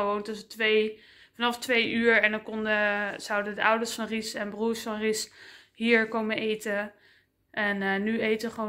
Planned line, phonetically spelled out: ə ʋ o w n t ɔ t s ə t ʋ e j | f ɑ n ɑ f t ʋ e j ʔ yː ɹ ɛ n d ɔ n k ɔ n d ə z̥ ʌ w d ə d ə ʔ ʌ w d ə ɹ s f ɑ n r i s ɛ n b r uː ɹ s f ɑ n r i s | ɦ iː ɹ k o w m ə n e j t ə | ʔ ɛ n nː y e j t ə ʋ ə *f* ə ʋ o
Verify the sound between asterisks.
incorrect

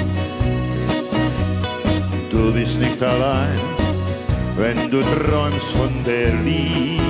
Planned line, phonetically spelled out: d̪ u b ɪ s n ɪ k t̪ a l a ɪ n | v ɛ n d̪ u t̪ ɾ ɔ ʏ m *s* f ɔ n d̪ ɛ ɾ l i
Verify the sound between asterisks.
correct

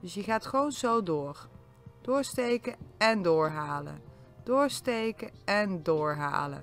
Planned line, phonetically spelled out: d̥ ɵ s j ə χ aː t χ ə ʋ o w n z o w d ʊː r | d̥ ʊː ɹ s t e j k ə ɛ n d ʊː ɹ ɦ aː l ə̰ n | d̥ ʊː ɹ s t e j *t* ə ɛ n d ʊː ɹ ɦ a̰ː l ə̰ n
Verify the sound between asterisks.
incorrect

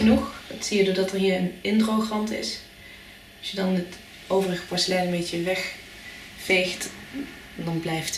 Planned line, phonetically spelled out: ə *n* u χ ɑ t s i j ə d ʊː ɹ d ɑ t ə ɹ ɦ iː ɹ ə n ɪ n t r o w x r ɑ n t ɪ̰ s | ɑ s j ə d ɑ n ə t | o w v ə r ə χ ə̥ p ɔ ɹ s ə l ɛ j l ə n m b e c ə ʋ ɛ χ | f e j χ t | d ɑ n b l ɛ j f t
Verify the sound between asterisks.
correct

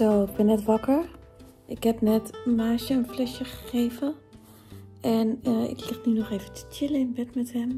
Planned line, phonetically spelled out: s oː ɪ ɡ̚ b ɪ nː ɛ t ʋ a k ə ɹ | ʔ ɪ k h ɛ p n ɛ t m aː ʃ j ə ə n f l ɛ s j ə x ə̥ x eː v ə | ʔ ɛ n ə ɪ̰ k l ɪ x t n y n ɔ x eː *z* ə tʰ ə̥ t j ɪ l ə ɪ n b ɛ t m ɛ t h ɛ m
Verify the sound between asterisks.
incorrect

